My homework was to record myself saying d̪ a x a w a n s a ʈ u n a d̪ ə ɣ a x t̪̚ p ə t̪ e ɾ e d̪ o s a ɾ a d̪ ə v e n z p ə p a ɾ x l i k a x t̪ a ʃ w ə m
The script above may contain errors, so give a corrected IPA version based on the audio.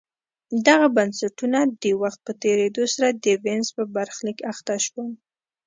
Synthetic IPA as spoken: d̪ a ɣ a b a n s a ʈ u n a d̪ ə w a x t̪̚ p ə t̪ e ɾ e d̪ o s a ɾ a d̪ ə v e n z p ə b a ɾ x l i k a x t̪ a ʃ w ə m